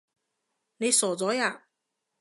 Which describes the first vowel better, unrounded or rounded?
unrounded